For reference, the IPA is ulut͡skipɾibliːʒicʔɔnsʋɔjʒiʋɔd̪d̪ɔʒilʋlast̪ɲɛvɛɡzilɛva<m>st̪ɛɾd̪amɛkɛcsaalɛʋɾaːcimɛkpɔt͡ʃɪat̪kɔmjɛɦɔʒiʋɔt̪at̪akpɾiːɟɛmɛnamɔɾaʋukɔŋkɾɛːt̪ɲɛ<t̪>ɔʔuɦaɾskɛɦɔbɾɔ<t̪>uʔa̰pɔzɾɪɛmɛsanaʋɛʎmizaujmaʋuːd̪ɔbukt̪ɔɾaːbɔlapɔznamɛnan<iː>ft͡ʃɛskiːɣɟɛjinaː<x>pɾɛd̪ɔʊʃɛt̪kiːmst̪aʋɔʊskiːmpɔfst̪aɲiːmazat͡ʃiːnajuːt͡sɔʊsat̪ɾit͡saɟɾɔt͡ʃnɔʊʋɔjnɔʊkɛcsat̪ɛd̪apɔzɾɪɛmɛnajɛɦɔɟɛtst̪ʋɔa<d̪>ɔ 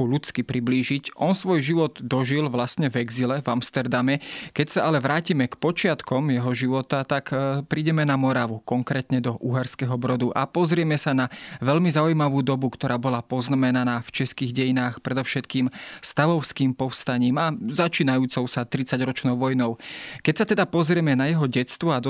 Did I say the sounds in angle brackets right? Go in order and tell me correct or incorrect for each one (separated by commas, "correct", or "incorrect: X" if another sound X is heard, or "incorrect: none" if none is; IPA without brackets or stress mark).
correct, incorrect: d̪, incorrect: d̪, incorrect: aː, correct, correct